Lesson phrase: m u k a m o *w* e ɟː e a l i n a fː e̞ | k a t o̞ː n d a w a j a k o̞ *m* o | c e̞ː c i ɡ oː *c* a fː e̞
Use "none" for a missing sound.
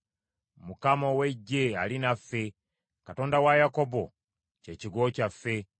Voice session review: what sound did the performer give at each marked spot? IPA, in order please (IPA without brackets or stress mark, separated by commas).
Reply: w, b, c